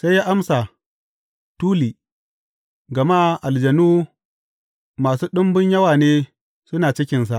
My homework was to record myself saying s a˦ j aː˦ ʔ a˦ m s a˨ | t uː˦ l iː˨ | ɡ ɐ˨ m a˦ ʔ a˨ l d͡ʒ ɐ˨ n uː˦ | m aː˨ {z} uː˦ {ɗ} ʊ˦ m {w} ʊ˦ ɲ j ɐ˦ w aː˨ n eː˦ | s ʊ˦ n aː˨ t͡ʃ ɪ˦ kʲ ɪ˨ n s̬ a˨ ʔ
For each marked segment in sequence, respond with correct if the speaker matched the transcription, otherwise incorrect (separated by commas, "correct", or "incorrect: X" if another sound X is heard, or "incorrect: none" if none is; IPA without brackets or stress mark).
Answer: incorrect: s, correct, incorrect: b